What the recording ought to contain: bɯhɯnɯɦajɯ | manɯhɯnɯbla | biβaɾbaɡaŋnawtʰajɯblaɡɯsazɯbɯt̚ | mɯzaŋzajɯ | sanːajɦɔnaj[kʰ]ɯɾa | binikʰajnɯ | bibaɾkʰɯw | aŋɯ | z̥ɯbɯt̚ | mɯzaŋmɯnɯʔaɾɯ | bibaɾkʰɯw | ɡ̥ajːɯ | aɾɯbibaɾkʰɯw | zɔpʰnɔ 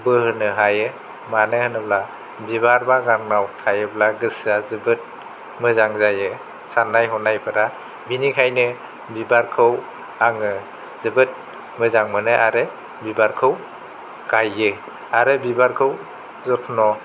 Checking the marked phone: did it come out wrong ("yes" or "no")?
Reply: yes